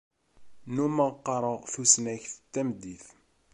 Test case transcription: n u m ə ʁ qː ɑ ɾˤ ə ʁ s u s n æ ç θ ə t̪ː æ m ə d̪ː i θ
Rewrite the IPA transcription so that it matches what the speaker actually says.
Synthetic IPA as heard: n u m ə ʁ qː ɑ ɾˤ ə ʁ θ u s n æ ç θ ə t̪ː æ m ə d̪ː i θ

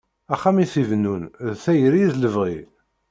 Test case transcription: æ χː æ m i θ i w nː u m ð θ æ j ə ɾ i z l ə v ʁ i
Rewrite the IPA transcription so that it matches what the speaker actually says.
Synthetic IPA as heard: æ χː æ m i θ i v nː u n ð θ æ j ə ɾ i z l ə v ʁ i

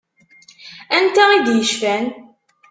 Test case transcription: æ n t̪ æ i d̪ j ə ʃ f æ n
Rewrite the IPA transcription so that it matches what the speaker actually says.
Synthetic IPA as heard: æ n t̪ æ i d̪ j ə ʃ f æ n

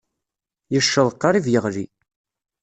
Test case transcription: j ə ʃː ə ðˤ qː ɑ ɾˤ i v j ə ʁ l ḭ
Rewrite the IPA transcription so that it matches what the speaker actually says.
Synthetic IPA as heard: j ə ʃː ə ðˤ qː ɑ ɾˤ i v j ə ʁ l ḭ

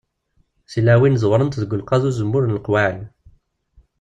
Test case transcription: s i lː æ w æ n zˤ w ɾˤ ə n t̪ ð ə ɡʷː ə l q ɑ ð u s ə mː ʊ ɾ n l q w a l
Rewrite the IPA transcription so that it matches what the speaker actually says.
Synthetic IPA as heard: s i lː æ w i n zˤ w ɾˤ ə n t̪ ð ə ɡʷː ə l q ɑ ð u z ə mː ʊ ɾ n l q w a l

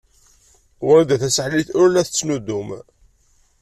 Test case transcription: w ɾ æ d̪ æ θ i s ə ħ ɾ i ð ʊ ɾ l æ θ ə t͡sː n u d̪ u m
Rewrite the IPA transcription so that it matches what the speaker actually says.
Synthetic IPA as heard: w ɾ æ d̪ æ θ æ s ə ħ l i θ ʊ ɾ l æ θ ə t͡sː n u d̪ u m

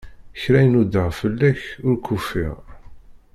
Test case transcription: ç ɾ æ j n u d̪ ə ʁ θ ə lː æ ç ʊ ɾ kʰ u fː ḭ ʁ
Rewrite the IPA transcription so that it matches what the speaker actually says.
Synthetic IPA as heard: ç ɾ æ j n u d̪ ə ʁ f ə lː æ ç ʊ ɾ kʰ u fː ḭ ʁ

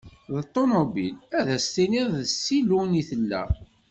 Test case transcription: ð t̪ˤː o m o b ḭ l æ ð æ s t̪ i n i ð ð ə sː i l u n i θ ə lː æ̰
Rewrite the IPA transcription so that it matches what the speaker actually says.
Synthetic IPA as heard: ð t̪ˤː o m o b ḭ l æ ð æ s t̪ i n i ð ð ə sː i l u n i θ ə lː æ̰

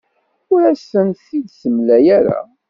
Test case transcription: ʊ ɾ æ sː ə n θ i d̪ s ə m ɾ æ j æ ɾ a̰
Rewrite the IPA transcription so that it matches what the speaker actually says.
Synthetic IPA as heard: ʊ ɾ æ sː ə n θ i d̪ s ə m l æ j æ ɾ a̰

